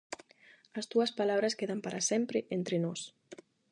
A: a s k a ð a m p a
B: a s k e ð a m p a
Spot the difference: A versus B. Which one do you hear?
B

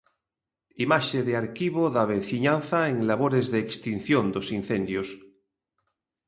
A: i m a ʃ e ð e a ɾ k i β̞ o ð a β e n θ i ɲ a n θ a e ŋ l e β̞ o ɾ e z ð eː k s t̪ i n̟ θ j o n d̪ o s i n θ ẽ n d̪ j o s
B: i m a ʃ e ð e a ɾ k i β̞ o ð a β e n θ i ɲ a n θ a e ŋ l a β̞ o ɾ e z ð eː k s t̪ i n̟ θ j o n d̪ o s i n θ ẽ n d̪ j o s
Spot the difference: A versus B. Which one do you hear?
B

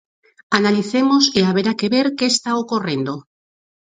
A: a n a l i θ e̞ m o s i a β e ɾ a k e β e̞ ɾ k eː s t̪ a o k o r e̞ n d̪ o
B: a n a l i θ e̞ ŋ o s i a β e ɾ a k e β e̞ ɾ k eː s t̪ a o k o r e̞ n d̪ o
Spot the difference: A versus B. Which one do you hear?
A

